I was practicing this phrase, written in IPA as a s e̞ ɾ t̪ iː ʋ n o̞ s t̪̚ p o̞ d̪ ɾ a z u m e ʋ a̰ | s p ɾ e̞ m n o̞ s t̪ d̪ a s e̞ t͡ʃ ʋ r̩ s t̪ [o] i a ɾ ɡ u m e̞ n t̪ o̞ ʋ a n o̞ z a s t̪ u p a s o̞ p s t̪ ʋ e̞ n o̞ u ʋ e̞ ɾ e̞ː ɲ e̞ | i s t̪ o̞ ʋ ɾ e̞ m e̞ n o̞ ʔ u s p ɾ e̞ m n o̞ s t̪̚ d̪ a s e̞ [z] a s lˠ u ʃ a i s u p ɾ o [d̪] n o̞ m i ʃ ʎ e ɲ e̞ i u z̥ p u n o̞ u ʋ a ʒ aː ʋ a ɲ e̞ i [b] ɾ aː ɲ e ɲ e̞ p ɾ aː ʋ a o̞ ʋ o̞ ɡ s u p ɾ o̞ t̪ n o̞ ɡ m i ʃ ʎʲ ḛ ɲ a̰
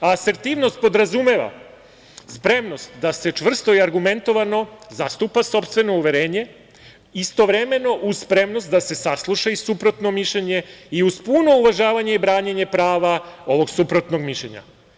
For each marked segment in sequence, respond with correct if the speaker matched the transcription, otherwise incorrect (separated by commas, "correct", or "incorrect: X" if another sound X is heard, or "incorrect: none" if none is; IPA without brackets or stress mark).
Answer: correct, incorrect: s, incorrect: t̪, correct